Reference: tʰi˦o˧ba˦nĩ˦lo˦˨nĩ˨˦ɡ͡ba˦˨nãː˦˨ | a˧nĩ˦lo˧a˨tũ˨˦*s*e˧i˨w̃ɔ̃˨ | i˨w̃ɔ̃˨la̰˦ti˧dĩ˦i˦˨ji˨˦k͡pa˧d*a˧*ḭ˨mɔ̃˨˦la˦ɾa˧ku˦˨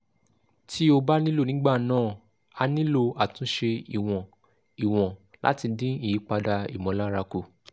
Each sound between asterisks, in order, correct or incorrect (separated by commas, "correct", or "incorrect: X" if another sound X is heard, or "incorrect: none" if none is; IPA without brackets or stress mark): incorrect: ʃ, correct